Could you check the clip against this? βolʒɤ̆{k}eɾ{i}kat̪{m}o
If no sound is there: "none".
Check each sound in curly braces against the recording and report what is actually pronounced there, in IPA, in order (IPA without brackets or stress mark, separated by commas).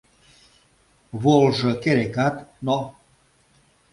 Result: k, e, n